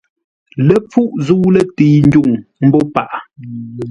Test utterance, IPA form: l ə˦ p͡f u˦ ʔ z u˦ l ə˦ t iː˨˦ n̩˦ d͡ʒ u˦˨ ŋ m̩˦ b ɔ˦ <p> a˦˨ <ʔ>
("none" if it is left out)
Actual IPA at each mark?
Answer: p, ʔ

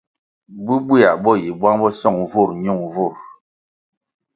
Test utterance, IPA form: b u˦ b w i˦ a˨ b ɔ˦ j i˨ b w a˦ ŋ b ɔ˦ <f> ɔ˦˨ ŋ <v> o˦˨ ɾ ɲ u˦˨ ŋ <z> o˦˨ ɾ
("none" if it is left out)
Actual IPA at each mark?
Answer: s, v, v

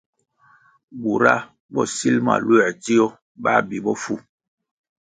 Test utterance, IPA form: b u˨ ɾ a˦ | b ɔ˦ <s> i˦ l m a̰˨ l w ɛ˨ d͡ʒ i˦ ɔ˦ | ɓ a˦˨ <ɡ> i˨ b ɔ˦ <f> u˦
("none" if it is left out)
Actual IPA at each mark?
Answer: s, b, f

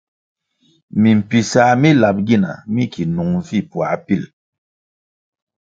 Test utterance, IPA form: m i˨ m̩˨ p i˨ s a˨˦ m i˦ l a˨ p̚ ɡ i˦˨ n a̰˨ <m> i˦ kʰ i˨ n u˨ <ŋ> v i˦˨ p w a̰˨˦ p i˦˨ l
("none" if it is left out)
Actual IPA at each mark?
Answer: m, ŋ

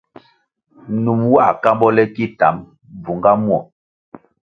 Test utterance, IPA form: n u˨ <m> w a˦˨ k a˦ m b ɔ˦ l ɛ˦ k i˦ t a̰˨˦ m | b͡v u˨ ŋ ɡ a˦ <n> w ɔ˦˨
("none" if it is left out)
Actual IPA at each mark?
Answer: m, m

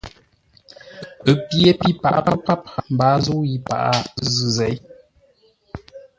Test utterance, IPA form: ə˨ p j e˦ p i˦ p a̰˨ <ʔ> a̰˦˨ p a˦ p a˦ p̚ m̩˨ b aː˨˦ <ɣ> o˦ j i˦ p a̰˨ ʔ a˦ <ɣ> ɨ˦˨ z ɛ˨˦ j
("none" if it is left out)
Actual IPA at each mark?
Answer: ʔ, z, z

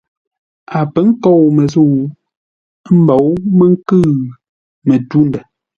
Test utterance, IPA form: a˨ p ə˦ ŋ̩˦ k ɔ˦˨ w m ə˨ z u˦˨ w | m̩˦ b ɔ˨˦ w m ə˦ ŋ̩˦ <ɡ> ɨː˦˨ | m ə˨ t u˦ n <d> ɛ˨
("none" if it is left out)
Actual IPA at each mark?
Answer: k, d

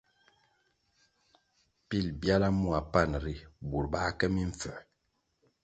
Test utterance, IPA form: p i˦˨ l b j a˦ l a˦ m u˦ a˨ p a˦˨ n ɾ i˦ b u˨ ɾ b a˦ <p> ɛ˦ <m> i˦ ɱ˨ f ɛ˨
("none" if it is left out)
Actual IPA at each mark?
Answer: k, m

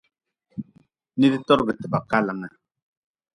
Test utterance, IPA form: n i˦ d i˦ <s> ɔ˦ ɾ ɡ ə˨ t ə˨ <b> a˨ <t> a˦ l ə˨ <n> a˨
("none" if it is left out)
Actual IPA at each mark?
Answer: t, b, k, ŋ

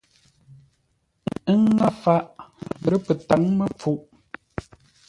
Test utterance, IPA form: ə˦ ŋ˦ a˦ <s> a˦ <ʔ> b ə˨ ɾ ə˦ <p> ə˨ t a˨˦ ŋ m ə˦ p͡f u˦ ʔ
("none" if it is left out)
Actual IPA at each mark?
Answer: f, ʔ, p

